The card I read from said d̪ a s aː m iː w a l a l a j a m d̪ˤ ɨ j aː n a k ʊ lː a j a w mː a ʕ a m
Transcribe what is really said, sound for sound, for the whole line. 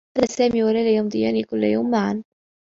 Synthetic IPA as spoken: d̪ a s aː m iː w a l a l a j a m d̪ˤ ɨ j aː n i k ʊ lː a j a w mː a ʕ a n